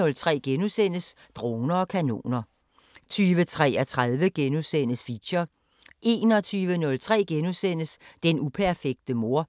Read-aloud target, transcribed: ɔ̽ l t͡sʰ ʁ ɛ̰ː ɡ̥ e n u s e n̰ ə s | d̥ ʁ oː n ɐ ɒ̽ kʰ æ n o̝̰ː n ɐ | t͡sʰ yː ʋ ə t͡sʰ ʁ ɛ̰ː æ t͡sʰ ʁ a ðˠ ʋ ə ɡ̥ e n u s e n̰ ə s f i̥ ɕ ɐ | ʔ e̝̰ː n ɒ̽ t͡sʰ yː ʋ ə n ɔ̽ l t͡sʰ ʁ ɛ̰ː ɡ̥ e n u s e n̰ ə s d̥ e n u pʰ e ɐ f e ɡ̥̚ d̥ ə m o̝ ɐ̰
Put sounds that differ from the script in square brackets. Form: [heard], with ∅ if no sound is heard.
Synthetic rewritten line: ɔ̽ l t͡sʰ ʁ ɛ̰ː ɡ̥ e n u s e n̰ ə s | d̥ ʁ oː n ɐ ɒ̽ kʰ æ n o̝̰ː n ɐ | t͡sʰ yː ʋ ə t͡sʰ ʁ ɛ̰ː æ t͡sʰ ʁ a ðˠ ʋ ə ɡ̥ e n u s e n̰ ə s f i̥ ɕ ɐ | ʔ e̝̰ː n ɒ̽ t͡sʰ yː ʋ ə n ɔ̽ l t͡sʰ ʁ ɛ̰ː ɡ̥ e n u s e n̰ ə s d̥ e n u pʰ [æ] ɐ f e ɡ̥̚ d̥ ə m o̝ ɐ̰